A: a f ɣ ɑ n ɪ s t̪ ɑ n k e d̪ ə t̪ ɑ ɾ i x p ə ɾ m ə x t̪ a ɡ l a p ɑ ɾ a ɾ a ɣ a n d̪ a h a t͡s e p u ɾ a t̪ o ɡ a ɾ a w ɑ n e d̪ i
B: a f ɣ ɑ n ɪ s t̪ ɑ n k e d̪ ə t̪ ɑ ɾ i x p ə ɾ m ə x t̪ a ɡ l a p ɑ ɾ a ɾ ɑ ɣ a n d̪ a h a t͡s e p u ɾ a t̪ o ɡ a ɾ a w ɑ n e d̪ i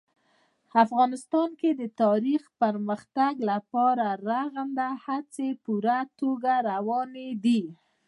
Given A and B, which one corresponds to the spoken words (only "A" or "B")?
A